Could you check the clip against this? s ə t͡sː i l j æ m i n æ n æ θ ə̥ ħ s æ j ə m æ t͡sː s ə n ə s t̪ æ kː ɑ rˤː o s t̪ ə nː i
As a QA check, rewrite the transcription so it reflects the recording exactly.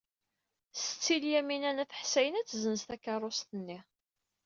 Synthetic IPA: s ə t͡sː i l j æ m i n æ n æ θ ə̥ ħ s æ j ə n æ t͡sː z ə n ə s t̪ æ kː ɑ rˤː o s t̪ ə nː i

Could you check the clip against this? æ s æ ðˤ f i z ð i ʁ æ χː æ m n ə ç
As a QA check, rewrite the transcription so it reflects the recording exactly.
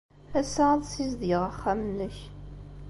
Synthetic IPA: æ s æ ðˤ s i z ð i ʁ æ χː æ m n ə ç

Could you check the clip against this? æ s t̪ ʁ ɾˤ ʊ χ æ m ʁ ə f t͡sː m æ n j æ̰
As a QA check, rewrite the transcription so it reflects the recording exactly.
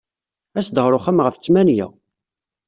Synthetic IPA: æ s d̪ ʁ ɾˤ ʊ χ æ m ʁ ə f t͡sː m æ n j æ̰

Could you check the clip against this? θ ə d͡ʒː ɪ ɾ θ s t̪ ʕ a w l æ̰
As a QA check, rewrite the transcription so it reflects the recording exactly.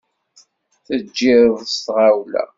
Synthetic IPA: θ ə d͡ʒː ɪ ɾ ð s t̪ ʁ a w l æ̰

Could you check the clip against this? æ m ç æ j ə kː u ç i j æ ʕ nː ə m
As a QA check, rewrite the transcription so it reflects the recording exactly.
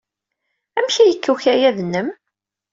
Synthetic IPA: æ m ç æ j ə kː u ç æ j æ ð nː ə m

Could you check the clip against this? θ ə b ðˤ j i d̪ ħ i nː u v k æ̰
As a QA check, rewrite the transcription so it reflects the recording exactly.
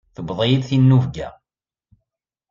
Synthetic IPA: θ ə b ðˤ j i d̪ θ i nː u v ɡ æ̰

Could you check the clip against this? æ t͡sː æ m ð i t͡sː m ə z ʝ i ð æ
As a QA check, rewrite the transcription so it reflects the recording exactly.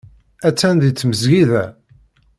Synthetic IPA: æ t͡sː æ n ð i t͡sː m ə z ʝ i ð æ

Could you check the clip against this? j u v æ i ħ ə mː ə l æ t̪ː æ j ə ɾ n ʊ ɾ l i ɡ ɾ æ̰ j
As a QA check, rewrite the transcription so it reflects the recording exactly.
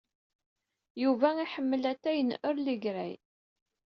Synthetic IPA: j u v æ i ħ ə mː ə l æ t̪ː æ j ə n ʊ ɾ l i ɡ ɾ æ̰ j

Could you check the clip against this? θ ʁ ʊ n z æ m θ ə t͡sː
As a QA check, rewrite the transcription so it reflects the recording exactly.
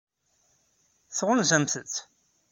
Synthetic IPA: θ ʁ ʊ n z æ m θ ə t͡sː

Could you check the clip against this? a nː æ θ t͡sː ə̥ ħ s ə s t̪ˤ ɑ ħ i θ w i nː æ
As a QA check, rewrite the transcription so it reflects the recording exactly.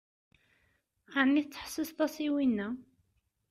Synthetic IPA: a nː i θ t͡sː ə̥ ħ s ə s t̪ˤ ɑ s i w i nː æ

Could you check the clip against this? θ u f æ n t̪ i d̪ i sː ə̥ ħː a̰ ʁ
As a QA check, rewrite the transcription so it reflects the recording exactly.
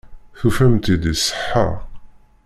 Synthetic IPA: θ u f æ m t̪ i d̪ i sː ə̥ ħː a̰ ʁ

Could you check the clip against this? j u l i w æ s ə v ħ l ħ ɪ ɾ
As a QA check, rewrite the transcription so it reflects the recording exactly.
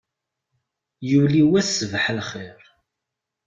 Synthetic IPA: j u l i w æ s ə v ħ l χ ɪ ɾ

